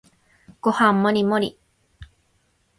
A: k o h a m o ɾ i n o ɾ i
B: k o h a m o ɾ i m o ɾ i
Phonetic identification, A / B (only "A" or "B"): B